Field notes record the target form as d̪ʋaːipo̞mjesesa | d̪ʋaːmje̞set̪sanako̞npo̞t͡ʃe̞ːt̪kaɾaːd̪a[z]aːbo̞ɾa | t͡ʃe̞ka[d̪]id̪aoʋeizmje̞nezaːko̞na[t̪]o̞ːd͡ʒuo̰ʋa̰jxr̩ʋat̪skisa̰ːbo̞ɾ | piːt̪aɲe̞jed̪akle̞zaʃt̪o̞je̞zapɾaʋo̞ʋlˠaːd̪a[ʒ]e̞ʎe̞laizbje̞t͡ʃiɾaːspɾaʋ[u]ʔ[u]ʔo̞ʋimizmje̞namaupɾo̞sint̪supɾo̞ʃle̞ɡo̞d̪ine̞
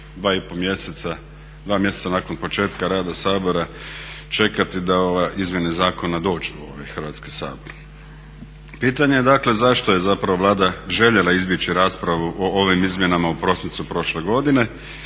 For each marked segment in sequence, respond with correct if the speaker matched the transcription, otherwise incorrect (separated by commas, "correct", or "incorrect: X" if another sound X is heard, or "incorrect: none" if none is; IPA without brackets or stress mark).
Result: incorrect: s, incorrect: t̪, incorrect: d̪, correct, correct, incorrect: o